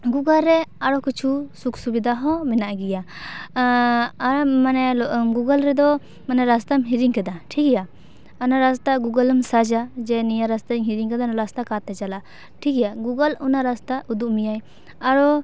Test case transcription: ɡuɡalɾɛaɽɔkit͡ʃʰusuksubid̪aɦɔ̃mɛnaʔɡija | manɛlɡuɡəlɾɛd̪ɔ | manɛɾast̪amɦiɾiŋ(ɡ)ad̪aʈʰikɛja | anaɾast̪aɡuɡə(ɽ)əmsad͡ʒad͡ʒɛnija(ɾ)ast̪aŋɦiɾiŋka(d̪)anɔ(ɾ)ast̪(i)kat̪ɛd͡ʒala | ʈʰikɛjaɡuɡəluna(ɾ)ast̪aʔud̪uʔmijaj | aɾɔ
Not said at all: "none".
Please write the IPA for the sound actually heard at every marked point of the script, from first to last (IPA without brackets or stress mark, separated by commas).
k, l, ɾ, d̪, ɾ, a, ɾ